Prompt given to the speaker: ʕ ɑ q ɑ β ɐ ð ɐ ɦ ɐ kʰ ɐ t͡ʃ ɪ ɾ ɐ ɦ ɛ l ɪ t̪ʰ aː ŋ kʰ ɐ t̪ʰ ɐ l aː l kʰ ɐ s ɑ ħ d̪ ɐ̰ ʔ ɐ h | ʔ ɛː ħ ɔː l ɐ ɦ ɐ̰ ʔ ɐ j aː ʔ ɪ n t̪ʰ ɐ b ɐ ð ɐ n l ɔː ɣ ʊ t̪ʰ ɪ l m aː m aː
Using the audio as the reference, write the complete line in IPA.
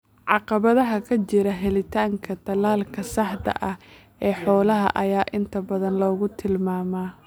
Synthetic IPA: ʕ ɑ q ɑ β ɐ ð ɐ ɦ ɐ kʰ ɐ t͡ʃ ɪ ɾ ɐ ɦ ɛ l ɪ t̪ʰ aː ŋ kʰ ɐ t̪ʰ ɐ l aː l kʰ ɐ s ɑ ħ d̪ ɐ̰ ʔ ɐ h | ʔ ɛː ħ ɔː l ɐ ɦ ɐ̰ ʔ ɐ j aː ʔ ɪ n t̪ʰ ɐ b ɐ ð ɐ n l ɔː ɣ ʊ t̪ʰ ɪ l m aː m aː

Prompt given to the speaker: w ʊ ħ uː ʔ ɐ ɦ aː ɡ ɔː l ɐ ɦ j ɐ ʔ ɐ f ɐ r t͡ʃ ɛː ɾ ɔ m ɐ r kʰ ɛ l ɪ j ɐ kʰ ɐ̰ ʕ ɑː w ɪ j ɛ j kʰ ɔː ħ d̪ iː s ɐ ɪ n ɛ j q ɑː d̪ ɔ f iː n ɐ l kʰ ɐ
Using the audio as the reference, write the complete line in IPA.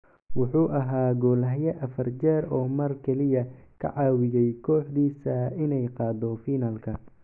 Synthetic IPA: w ʊ ħ uː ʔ ɐ ɦ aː ɡ ɔː l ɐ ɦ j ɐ ʔ ɐ f ɐ r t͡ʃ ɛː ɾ ɔː m ɐ r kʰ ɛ l ɪ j ɐ kʰ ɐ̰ ʕ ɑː w ɪ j ɛ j kʰ ɔː ħ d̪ iː s ɐ ɪ n ɛ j q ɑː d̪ ɔ f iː n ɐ l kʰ ɐ

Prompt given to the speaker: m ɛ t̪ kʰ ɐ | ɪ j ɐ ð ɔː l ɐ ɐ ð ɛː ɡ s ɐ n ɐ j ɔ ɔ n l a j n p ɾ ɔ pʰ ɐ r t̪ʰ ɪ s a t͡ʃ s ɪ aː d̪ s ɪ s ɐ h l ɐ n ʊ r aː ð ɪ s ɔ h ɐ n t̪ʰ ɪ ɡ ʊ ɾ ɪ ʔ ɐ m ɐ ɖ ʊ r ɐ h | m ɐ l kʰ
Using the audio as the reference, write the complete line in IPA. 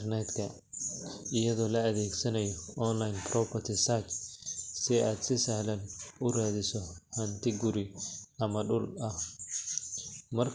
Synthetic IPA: n ɛ t̪ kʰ ɐ | ɪ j ɐ ð ɔː l ɐ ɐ ð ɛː ɡ s ɐ n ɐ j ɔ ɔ n l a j n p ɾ ɔ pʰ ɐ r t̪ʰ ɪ s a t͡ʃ s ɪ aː d̪ s ɪ s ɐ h l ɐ n ʊ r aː ð ɪ s ɔ h ɐ n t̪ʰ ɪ ɡ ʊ ɾ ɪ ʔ ɐ m ɐ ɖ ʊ l ɐ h | m ɐ r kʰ

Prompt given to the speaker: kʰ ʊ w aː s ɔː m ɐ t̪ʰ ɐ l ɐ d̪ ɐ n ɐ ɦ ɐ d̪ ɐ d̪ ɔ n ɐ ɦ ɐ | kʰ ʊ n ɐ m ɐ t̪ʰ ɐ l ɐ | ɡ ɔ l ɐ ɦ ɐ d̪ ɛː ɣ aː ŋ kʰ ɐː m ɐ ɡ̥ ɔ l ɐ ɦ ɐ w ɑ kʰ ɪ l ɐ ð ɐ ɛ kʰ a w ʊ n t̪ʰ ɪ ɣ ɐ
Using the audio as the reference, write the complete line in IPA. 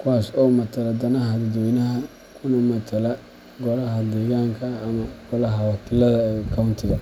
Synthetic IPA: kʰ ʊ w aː s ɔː m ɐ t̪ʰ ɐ l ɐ d̪ ɐ n ɐ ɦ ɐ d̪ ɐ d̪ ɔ n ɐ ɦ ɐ | kʰ ʊ n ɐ m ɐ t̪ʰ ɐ l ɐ | ɡ ɔ l ɐ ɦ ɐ d̪ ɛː ɣ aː ŋ kʰ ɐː m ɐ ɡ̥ ɔ l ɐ ɦ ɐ w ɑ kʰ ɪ l ɐ ð ɐ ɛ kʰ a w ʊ n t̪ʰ ɪ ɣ ɐ

